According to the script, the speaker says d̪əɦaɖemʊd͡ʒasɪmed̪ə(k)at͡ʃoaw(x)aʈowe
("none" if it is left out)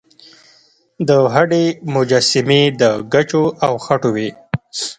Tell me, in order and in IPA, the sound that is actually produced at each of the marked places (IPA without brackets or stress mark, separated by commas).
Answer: ɡ, x